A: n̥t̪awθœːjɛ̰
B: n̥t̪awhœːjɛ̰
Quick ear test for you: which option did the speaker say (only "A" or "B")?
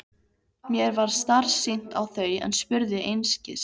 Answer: A